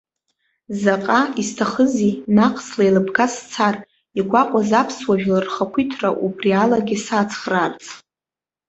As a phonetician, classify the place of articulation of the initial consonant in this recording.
alveolar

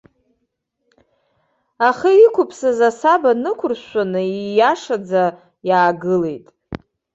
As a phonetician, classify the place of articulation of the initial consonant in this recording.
uvular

